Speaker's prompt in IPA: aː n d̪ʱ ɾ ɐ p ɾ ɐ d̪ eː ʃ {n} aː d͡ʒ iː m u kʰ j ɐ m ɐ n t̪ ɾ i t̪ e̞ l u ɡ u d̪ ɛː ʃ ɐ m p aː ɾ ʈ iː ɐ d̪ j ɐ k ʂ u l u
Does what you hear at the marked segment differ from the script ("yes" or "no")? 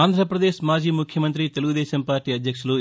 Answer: yes